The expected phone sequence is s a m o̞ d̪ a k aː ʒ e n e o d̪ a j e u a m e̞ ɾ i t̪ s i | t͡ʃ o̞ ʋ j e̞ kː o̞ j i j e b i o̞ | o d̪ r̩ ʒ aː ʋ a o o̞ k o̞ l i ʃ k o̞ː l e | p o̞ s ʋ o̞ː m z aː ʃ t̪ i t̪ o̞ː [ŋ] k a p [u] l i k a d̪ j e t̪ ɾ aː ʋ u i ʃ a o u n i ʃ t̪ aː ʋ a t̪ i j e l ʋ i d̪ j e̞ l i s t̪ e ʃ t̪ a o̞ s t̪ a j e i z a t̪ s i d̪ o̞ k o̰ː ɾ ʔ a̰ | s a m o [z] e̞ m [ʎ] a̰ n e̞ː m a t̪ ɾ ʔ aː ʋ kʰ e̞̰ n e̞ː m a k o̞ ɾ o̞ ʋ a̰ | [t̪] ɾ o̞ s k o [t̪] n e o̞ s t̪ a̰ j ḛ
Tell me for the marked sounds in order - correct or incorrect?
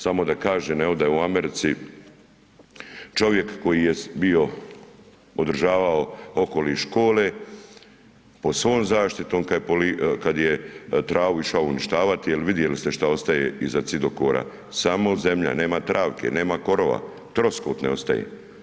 incorrect: m, incorrect: o, correct, correct, correct, correct

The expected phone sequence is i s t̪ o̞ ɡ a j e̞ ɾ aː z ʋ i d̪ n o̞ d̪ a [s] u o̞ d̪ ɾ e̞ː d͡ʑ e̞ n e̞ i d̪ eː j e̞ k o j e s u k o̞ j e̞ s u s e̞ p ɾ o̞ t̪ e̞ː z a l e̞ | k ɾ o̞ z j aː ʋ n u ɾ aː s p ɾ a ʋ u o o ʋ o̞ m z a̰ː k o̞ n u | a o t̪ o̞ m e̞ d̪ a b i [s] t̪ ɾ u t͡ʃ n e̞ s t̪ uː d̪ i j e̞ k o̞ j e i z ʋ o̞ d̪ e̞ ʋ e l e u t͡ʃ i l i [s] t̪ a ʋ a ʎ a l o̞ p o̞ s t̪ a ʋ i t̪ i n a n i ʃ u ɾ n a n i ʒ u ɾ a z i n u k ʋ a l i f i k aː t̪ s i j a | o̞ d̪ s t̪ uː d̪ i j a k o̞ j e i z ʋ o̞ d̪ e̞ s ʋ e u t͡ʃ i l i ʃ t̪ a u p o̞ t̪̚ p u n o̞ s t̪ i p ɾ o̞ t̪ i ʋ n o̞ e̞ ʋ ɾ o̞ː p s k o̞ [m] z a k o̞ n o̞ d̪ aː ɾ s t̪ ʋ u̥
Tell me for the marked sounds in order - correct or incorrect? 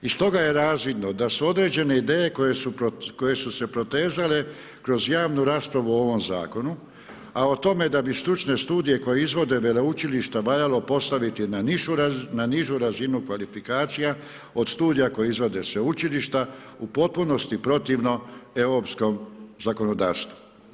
correct, correct, incorrect: ʃ, correct

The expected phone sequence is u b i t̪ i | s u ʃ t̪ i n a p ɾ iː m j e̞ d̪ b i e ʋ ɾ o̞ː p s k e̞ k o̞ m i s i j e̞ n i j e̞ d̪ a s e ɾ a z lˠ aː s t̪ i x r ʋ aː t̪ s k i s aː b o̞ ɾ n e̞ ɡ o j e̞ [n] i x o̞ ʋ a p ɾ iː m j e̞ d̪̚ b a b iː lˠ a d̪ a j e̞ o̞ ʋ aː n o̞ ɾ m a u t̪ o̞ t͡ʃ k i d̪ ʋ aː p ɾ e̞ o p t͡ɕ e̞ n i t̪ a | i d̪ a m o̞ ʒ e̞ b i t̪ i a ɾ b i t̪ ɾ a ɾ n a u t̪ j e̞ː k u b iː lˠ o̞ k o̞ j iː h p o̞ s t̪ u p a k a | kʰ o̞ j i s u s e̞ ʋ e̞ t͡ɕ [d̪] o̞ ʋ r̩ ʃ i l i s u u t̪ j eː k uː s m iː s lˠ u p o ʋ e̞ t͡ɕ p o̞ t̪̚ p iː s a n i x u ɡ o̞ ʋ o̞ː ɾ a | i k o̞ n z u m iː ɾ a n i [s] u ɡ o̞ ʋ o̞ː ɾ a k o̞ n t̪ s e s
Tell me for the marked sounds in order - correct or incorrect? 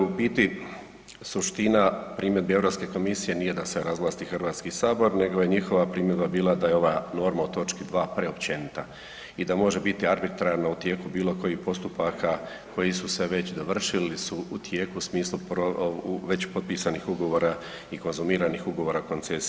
incorrect: ɲ, correct, incorrect: x

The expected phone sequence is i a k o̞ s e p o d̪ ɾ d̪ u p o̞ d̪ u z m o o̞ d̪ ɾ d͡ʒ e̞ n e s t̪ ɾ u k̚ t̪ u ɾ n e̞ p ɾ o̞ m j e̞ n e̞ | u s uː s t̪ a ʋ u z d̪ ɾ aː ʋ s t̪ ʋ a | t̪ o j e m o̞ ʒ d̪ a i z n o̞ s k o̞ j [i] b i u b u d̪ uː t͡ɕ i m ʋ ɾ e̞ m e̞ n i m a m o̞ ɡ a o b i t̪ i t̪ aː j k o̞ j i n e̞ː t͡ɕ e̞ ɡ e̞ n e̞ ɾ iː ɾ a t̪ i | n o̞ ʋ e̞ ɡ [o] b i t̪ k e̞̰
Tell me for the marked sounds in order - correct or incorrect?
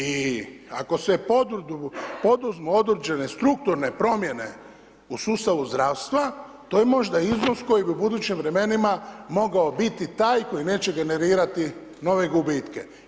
correct, incorrect: u

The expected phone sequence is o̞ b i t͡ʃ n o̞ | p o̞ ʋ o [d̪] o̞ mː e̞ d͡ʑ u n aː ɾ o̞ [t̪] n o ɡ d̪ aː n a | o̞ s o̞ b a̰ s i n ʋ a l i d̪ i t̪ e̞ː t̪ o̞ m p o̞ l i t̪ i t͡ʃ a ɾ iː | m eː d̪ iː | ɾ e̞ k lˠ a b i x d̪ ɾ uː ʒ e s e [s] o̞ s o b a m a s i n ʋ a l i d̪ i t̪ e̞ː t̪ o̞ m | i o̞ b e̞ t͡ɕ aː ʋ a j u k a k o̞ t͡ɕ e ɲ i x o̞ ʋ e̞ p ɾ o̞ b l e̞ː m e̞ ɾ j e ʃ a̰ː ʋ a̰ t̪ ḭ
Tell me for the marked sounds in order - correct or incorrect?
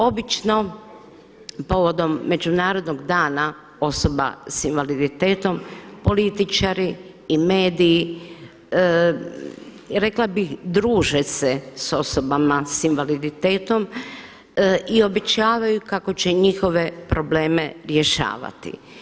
correct, incorrect: d̪, correct

